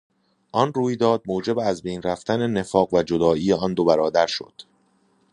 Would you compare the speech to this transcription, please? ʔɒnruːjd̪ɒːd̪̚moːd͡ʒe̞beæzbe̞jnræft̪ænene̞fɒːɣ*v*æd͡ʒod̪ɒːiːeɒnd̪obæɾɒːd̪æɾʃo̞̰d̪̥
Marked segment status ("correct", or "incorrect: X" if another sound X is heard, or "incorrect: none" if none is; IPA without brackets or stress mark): correct